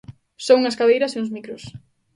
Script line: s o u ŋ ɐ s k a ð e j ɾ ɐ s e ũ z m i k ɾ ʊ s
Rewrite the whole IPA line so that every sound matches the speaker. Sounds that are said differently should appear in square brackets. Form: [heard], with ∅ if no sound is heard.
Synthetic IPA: s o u ŋ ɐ s k a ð e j ɾ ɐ s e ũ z m i k ɾ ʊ s